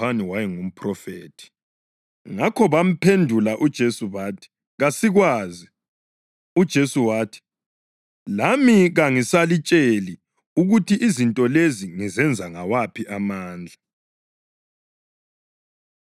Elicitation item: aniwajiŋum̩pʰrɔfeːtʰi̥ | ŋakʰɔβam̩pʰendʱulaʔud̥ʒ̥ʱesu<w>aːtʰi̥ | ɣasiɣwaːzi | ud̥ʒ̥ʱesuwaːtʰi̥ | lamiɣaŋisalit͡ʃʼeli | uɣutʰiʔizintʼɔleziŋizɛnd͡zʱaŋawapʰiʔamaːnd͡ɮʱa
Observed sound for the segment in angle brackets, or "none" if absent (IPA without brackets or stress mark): β